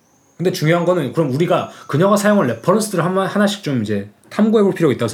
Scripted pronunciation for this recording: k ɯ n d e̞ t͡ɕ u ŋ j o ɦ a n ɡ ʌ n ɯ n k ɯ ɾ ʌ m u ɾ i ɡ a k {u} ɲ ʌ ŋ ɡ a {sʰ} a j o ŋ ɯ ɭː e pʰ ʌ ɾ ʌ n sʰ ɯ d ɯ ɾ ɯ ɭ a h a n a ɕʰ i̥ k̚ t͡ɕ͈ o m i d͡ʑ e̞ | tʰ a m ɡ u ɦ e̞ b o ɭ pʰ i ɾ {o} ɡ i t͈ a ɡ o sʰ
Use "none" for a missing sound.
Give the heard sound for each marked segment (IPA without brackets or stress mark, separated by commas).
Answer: ɯ, sʰ, o